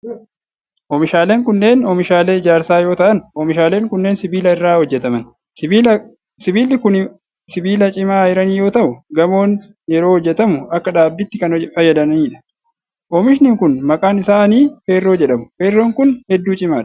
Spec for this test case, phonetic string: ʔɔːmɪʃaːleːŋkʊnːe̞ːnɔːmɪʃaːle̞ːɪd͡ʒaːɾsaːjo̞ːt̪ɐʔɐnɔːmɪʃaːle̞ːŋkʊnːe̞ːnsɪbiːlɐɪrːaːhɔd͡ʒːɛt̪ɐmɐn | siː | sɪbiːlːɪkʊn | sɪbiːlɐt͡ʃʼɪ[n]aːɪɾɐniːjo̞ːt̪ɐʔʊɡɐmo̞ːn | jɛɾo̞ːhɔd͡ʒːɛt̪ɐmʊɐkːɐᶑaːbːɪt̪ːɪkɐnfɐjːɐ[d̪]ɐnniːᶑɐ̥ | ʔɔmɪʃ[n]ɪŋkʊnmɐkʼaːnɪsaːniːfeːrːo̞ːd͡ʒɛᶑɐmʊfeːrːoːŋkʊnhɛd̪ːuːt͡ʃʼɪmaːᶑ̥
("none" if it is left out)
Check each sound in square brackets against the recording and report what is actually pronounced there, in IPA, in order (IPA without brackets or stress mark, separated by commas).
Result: m, d̪, n